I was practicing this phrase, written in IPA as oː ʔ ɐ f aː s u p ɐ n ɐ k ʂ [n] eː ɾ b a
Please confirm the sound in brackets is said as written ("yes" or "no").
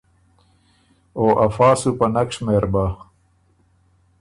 no